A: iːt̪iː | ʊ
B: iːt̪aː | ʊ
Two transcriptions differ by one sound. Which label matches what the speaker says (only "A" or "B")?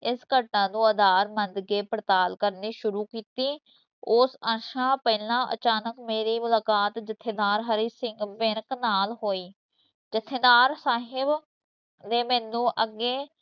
A